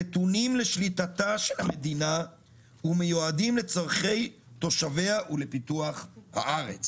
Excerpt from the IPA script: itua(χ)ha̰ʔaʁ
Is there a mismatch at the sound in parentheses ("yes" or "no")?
no